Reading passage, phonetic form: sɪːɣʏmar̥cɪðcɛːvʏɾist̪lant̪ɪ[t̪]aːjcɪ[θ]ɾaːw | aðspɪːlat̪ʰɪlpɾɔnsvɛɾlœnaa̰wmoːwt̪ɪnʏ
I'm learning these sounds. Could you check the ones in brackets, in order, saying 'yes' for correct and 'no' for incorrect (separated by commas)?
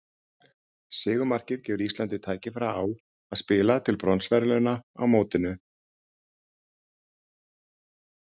no, no